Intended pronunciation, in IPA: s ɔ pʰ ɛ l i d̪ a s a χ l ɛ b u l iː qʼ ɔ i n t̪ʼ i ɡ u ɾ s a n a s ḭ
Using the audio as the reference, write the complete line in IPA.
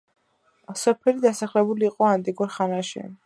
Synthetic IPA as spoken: s ɔ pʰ ɛ l i d̪ a s a χ l ɛ b u l iː qʼ ɔ a n t̪ʼ i ɡ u ɾ χ a n a ʃ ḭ